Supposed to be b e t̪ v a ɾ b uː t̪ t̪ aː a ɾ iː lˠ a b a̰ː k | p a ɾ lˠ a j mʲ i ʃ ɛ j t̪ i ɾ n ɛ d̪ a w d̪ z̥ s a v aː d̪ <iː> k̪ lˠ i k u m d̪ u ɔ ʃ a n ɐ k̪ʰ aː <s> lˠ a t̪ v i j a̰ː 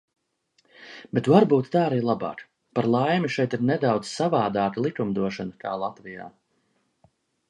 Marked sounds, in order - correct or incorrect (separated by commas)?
incorrect, incorrect